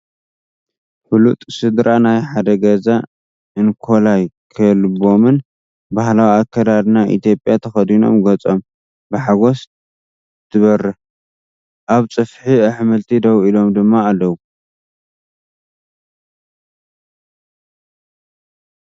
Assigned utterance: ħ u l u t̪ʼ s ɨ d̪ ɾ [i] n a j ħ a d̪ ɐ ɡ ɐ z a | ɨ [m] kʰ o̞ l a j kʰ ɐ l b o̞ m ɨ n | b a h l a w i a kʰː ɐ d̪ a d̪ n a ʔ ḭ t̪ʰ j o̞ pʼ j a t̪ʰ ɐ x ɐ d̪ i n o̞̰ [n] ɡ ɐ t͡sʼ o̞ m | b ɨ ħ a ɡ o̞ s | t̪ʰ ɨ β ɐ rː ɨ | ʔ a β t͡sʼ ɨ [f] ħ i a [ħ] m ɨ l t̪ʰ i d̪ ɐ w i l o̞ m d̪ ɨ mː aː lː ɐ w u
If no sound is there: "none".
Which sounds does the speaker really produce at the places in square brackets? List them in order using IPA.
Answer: a, n, m, f, ħ

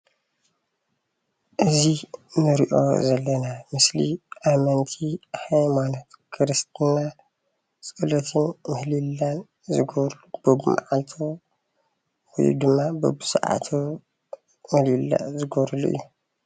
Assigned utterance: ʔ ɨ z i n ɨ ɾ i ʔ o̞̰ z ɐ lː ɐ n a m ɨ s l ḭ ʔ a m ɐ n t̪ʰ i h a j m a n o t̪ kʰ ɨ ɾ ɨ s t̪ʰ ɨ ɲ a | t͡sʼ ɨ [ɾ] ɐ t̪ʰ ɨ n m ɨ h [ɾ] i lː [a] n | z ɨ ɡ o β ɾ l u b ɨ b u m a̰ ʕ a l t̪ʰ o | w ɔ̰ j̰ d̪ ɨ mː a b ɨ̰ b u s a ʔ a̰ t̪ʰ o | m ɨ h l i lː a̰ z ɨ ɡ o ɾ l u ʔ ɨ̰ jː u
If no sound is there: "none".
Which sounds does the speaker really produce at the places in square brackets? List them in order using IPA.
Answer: l, l, a

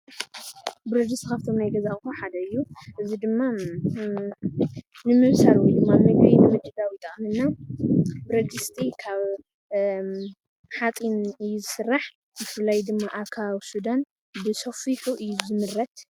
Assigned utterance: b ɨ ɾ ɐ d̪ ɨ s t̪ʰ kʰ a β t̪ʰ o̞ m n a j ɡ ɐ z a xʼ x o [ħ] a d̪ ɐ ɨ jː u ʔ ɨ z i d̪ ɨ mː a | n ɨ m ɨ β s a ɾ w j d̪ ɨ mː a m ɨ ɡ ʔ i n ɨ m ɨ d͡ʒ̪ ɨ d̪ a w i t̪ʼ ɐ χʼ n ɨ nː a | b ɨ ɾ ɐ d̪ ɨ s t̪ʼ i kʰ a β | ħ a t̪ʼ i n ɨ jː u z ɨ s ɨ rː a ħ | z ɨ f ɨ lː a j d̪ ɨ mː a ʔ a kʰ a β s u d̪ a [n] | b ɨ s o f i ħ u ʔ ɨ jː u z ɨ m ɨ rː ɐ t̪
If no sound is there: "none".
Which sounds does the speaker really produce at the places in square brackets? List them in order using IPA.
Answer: ħ, n

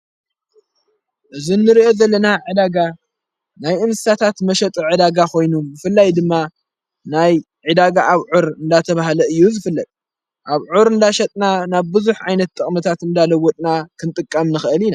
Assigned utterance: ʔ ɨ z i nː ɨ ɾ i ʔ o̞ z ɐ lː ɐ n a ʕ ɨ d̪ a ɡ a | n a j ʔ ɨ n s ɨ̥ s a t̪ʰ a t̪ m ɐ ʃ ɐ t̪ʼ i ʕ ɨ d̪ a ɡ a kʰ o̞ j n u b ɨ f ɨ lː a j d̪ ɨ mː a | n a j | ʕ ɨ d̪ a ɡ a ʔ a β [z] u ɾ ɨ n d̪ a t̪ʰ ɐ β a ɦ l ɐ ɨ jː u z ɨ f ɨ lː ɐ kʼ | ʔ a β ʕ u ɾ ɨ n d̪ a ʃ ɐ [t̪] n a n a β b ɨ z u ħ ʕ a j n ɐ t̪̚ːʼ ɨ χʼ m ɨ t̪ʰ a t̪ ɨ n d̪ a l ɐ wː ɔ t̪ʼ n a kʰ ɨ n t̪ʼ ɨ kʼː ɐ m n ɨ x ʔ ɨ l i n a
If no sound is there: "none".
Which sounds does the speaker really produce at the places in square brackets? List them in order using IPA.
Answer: ʕ, t̪ʼ

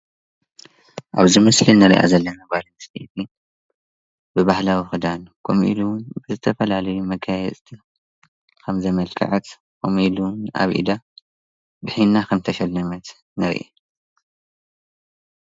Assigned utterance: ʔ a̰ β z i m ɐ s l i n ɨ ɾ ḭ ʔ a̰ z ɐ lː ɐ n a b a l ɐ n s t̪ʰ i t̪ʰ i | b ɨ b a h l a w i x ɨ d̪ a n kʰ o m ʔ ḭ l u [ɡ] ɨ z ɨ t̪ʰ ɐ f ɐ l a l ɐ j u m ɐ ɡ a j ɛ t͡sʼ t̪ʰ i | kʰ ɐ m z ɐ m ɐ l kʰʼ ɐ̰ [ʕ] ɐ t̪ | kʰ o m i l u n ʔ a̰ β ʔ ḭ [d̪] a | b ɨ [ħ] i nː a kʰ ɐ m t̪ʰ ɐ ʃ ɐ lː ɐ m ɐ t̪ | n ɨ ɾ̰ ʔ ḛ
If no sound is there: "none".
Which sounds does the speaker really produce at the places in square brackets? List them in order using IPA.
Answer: b, ʕ, d̪, ħ

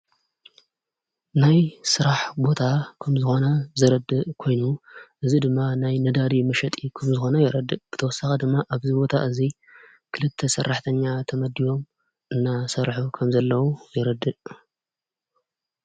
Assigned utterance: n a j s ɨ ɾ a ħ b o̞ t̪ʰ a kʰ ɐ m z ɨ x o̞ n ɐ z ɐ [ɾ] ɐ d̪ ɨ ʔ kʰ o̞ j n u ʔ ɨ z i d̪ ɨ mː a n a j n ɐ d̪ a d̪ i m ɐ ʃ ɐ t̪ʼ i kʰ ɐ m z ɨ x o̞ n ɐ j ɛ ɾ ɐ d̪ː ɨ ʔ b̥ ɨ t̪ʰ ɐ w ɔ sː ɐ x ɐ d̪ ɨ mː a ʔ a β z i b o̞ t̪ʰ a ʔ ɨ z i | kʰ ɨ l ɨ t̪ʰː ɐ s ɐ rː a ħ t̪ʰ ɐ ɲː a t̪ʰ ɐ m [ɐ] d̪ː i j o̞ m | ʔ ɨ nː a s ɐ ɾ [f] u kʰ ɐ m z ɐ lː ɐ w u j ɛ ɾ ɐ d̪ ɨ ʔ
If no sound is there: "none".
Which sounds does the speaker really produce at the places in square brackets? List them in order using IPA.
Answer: ɾ, ɐ, ħ

